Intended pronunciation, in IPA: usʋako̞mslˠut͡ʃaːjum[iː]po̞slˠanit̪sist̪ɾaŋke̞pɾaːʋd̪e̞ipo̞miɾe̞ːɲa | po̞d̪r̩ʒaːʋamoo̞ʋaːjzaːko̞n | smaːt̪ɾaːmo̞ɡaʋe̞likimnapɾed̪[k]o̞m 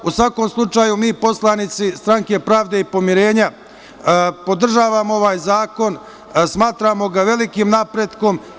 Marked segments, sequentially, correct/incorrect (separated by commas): correct, correct